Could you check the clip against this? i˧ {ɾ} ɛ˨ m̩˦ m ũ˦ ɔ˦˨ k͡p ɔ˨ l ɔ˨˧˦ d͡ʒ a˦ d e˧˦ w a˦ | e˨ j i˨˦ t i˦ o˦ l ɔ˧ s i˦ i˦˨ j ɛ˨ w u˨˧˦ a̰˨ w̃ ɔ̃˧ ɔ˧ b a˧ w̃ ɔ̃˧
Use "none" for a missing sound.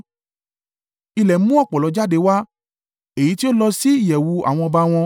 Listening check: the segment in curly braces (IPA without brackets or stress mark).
l